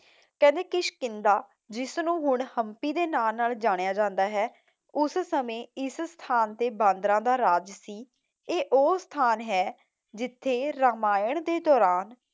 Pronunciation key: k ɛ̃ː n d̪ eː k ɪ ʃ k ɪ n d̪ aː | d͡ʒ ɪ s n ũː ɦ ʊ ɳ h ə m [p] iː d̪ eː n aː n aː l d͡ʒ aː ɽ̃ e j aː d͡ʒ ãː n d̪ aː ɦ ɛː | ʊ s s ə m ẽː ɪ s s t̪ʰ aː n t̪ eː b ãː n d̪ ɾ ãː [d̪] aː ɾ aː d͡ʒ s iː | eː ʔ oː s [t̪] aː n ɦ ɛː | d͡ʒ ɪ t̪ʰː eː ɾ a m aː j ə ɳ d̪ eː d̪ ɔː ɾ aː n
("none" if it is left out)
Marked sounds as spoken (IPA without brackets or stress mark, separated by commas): p, d̪, t̪ʰ